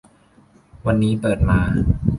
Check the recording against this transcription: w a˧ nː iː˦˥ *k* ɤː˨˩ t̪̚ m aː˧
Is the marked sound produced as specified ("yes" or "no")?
no